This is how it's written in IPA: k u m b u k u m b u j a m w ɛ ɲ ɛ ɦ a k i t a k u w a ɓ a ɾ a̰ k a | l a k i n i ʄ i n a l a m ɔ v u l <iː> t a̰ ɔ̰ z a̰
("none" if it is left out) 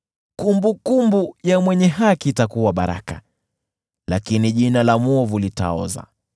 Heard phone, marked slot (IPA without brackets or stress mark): i